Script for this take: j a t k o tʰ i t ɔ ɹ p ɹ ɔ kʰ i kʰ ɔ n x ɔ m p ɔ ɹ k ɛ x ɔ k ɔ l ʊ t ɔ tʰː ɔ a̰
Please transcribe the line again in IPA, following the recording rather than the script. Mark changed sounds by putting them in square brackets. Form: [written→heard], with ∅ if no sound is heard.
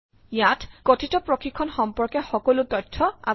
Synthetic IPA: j a t k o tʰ i t ɔ [ɹ→∅] p ɹ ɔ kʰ i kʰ ɔ n x ɔ m p ɔ ɹ k ɛ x ɔ k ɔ l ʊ t ɔ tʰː ɔ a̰